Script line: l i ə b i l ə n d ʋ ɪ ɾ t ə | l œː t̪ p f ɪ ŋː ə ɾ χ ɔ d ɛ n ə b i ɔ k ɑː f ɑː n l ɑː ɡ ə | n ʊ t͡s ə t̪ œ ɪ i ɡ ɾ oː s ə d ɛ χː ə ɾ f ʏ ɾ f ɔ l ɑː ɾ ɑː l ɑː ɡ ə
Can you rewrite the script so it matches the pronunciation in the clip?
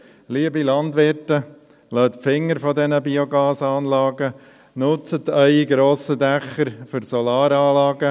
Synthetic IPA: l i ə b i l ɑ n d ʋ ɪ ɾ t ə | l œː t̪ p f ɪ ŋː ə ɾ f ɔ d ɛ n ə b i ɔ ɡ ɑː s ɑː n l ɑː ɡ ə | n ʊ t͡s ə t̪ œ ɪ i ɡ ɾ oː s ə d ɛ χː ə ɾ f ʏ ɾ s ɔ l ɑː ɾ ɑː l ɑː ɡ ə